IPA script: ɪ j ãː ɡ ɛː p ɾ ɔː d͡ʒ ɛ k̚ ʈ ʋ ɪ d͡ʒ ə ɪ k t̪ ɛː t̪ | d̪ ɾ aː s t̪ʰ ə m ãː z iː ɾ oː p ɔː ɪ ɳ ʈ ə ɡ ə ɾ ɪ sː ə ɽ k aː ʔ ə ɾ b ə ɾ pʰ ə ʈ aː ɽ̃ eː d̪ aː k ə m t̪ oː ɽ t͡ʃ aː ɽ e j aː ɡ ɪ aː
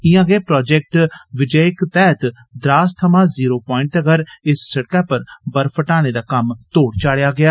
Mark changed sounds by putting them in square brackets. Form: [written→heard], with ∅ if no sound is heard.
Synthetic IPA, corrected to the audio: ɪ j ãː ɡ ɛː p ɾ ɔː d͡ʒ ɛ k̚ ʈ ʋ ɪ d͡ʒ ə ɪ k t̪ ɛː t̪ | d̪ ɾ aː s t̪ʰ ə m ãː z iː ɾ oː p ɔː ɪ ɳ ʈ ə ɡ ə ɾ ɪ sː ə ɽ k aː [ʔ→p] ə ɾ b ə ɾ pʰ ə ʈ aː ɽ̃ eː d̪ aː k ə m t̪ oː ɽ t͡ʃ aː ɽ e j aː ɡ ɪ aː